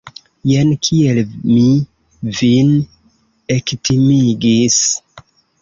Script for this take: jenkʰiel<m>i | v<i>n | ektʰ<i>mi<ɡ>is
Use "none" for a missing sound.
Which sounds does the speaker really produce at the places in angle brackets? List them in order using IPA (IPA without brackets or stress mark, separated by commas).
m, i, i, ɡ